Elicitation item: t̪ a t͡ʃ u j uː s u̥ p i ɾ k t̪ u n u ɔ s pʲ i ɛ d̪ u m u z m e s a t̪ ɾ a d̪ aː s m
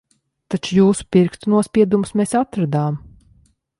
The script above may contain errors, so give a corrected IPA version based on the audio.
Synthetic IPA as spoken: t̪ a t͡ʃ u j uː s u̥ p i ɾ k t̪ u n u ɔ s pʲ i ɛ d̪ u m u s m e s a t̪ ɾ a d̪ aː m